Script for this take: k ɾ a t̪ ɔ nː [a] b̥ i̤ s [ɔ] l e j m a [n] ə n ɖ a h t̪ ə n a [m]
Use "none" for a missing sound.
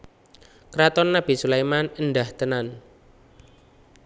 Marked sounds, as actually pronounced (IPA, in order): a, u, n, n

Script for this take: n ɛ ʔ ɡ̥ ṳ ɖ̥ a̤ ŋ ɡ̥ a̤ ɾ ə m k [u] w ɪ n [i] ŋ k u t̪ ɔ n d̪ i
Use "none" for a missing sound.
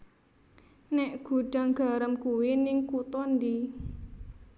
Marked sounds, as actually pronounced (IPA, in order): u, ɪ

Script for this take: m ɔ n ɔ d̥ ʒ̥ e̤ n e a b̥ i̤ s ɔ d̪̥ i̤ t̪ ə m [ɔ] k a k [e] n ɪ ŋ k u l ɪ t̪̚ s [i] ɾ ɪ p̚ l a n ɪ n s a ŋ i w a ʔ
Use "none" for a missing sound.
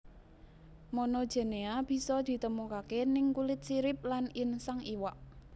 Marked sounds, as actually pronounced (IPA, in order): u, e, i

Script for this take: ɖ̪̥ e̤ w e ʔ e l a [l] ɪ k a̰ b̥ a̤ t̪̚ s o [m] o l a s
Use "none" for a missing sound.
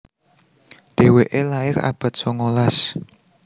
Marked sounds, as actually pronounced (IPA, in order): none, ŋ

